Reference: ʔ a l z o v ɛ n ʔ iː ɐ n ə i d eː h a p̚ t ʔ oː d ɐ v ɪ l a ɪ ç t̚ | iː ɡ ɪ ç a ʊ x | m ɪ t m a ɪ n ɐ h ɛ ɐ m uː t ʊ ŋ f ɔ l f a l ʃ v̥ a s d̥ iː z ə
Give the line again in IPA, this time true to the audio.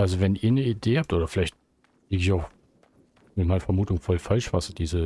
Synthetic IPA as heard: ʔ a l z o v ɛ n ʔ iː ɐ n ə i d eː h a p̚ t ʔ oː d ɐ f ɪ l a ɪ ç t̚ | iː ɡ ɪ ç a ʊ x | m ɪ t m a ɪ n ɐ f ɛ ɐ m uː t ʊ ŋ f ɔ l f a l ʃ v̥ a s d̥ iː z ə